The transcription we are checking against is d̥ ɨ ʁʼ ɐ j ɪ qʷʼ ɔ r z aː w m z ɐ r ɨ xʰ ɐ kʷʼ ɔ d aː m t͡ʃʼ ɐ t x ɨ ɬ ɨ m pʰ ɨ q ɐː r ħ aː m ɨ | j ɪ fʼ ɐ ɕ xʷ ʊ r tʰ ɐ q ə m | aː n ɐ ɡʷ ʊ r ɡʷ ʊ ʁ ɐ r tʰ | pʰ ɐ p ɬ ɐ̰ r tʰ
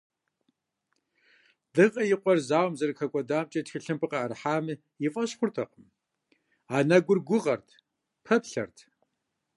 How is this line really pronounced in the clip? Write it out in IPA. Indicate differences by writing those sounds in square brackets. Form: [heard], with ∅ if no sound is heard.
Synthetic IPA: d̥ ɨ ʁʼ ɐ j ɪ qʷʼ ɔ r z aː w m z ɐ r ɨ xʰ ɐ kʷʼ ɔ d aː m t͡ʃʼ ɐ t x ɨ ɬ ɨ m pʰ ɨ q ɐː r ħ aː m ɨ | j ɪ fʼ ɐ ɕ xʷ ʊ r tʰ ɐ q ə m | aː n ɐ ɡʷ ʊ r ɡʷ ʊ ʁ ɐ r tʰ | pʰ ɐ p ɬ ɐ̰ r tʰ